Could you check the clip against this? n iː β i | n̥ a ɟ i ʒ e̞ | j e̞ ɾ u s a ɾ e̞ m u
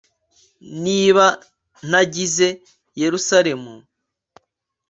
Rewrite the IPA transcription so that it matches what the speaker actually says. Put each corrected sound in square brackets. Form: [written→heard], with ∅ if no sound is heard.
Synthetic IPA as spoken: n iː β [i→a] | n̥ a ɟ i [ʒ→z] e̞ | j e̞ ɾ u s a ɾ e̞ m u